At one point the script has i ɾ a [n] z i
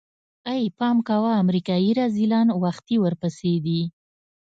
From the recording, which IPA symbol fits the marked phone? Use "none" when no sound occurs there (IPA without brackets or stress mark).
none